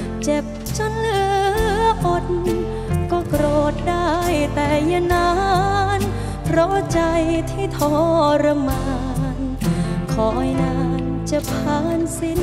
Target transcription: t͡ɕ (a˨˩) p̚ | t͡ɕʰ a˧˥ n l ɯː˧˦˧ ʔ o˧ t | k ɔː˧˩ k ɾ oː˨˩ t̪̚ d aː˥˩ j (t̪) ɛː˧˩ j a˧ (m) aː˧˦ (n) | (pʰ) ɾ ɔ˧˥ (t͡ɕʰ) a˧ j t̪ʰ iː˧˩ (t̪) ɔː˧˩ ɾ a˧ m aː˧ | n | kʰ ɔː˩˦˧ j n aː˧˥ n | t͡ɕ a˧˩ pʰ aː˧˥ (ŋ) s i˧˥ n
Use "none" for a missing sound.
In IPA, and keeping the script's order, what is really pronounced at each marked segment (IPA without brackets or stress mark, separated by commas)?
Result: e˨˩, t̪, n, n, pʰ, t͡ɕ, t̪ʰ, n